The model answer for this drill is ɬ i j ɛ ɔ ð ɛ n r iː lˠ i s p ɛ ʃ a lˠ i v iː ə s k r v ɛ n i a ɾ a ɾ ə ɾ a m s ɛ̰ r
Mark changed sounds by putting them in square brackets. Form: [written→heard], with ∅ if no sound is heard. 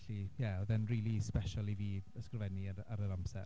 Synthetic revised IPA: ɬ i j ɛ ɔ ð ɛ n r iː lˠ i s p ɛ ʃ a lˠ i v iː ə s k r v ɛ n i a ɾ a ɾ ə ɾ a m s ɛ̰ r

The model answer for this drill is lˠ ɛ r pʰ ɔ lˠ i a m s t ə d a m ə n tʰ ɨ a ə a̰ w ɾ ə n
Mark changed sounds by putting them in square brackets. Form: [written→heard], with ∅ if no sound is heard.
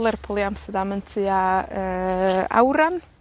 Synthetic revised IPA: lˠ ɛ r pʰ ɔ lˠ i a m s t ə d a m ə n tʰ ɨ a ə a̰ w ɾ [ə→a] n

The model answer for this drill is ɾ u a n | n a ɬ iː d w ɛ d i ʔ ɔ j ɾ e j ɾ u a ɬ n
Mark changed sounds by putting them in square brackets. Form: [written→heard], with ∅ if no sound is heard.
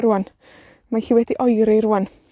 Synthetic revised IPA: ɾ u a n | [n→m] a ɬ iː [d→∅] w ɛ d i ʔ ɔ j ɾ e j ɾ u a [ɬ→∅] n

